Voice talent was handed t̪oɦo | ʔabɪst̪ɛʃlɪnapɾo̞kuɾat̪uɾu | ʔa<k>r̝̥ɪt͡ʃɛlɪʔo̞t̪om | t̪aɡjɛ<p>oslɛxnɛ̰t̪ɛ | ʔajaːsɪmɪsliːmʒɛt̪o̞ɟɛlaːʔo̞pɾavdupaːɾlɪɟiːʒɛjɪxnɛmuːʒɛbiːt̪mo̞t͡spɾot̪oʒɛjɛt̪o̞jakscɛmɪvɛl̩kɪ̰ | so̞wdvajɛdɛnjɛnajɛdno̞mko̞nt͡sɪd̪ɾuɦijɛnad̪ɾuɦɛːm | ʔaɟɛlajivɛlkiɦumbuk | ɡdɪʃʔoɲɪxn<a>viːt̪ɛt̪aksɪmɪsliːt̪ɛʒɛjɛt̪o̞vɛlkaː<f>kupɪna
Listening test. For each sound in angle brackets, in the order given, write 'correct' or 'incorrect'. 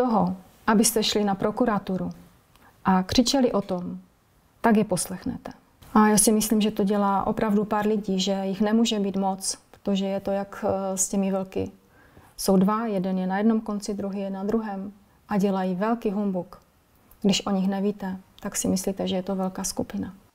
correct, correct, incorrect: ɛ, incorrect: s

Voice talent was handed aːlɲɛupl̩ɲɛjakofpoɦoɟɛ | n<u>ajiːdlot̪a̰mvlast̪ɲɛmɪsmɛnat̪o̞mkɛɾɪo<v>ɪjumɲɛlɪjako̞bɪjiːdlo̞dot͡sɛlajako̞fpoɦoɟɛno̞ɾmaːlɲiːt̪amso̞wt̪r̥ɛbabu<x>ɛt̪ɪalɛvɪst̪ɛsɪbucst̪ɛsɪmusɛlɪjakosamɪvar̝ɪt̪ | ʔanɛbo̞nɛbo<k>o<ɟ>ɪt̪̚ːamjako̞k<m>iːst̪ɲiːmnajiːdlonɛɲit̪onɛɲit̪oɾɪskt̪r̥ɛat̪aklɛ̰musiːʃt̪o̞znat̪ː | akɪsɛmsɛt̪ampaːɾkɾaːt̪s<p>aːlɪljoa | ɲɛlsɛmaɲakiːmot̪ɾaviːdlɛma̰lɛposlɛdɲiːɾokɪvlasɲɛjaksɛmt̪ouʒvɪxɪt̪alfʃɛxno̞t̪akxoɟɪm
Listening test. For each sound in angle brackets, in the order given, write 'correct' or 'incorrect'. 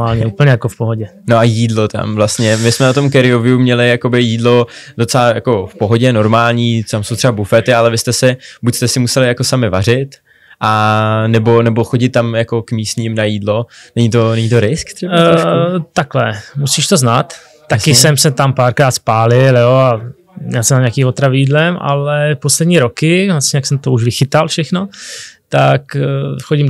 incorrect: o, correct, incorrect: f, incorrect: x, correct, correct, correct

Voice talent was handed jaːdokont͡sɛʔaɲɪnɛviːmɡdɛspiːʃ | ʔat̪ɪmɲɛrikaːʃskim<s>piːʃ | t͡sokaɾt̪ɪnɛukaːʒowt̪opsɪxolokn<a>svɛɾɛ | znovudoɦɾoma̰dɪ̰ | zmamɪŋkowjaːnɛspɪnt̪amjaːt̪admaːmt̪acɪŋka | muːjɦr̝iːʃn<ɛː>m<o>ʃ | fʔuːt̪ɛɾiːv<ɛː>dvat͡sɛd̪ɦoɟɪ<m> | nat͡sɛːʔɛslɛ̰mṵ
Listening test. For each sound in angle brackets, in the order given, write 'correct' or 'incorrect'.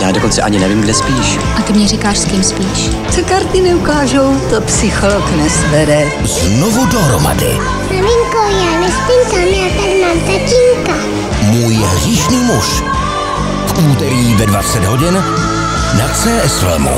correct, incorrect: ɛ, incorrect: iː, incorrect: u, incorrect: ɛ, incorrect: n

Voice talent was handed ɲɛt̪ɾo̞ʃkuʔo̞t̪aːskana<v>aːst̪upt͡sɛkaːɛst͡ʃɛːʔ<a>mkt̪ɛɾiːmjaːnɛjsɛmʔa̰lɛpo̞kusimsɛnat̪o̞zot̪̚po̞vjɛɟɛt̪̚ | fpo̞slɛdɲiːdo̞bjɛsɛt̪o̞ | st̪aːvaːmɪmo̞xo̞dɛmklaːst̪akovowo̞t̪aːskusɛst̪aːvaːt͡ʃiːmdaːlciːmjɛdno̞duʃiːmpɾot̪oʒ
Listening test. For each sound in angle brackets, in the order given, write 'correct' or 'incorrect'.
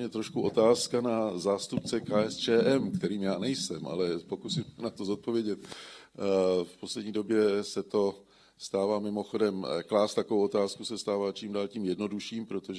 incorrect: z, incorrect: ɛ

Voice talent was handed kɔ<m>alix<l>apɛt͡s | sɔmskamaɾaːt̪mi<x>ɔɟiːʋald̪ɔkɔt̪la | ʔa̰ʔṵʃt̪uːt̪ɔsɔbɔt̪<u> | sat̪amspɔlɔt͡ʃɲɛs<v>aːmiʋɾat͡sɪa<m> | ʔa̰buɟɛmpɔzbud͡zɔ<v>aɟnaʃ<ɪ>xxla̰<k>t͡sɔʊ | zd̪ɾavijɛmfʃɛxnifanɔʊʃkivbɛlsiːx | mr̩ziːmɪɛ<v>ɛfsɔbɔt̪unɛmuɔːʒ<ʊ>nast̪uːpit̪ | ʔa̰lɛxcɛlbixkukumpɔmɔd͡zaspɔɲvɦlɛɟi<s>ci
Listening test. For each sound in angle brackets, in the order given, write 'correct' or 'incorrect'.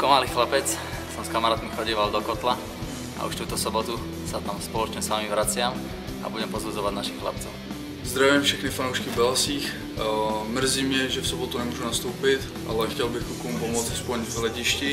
correct, correct, correct, correct, incorrect: ʋ, correct, incorrect: ʋ, incorrect: i, incorrect: p, incorrect: ʒ, incorrect: u, incorrect: ʃ

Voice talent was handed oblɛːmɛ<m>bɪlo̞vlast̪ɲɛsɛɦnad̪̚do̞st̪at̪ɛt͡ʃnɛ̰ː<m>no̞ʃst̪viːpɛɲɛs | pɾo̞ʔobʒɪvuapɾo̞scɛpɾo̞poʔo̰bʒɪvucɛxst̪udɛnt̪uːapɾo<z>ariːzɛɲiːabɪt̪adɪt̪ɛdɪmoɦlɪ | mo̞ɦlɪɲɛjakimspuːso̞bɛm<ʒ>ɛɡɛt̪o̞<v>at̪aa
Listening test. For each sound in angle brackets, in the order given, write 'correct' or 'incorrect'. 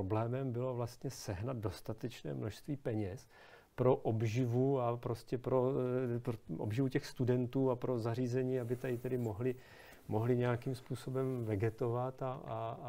correct, correct, correct, incorrect: v, correct

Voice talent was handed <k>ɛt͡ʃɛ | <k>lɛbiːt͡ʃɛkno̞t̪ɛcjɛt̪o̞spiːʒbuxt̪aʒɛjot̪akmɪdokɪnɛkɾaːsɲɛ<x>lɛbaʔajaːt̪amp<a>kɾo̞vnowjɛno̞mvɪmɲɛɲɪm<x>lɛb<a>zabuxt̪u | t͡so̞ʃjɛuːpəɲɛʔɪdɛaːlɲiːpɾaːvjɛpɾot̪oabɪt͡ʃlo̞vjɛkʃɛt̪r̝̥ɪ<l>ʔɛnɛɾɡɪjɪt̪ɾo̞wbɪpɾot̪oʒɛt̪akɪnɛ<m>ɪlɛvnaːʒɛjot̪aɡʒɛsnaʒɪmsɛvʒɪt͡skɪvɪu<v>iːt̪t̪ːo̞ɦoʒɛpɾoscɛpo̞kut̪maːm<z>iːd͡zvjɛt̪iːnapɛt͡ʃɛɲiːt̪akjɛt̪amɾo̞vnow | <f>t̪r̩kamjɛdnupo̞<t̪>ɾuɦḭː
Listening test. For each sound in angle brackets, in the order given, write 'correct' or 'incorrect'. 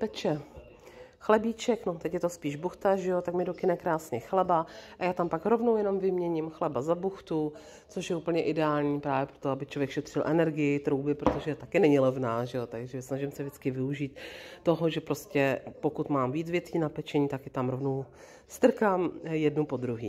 incorrect: p, incorrect: x, correct, correct, correct, correct, correct, incorrect: ɲ, incorrect: ʒ, incorrect: v, incorrect: s, incorrect: d̪

